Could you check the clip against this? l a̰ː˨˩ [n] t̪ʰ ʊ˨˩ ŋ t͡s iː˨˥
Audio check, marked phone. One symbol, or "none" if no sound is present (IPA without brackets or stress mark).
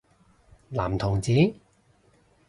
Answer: m